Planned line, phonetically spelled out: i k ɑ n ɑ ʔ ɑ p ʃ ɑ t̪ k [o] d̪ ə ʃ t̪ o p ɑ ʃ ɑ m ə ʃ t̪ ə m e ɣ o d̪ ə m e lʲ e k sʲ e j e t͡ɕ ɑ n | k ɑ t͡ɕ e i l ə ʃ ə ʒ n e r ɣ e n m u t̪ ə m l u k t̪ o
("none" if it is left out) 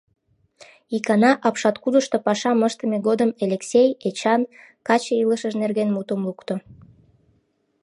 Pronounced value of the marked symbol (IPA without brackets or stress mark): u